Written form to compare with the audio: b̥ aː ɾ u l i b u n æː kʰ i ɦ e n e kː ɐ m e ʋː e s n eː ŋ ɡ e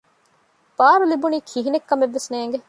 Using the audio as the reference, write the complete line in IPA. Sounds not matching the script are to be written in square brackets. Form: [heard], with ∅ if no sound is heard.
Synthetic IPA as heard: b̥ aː ɾ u l i b u n [iː] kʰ i ɦ [i] n e kː ɐ m e ʋː e s n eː ŋ ɡ e